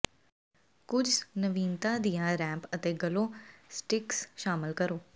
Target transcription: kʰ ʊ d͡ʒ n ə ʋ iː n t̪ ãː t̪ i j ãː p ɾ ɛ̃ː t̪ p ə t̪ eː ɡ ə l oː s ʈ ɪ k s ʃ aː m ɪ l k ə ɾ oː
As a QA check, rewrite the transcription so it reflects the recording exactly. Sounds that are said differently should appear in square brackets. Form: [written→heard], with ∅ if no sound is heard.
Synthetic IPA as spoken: [kʰ→k] ʊ d͡ʒ n ə ʋ iː n t̪ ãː [t̪→d̪] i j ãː [p→∅] ɾ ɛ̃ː [t̪→∅] p ə t̪ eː ɡ ə l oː s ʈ ɪ k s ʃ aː m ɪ l k ə ɾ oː